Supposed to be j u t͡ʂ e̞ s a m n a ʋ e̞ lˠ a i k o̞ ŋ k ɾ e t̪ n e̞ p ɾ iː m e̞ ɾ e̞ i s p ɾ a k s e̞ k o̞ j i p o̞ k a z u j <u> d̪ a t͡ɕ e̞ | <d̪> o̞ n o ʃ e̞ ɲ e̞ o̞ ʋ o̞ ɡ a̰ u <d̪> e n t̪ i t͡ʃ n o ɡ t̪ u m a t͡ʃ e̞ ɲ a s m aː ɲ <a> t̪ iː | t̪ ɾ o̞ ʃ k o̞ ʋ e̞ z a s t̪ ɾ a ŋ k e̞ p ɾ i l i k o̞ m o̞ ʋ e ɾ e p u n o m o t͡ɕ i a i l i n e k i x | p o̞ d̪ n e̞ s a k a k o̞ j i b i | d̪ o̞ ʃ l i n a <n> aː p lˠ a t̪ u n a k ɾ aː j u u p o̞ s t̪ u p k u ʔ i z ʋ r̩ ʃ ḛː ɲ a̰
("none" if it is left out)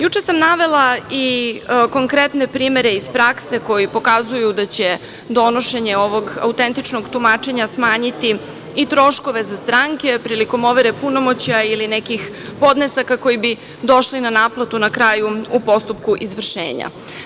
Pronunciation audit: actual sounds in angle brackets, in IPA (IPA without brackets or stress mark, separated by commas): u, d̪, t̪, i, n